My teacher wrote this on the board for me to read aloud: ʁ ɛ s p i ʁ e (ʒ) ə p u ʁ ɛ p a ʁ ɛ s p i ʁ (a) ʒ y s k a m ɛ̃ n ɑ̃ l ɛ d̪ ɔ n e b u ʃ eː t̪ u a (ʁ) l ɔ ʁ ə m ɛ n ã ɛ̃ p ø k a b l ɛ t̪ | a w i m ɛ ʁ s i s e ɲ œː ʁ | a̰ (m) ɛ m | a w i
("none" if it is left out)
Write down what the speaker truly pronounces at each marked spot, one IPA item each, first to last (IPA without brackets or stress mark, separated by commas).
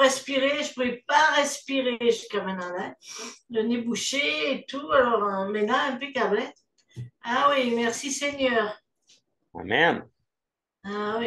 ʒ, e, none, m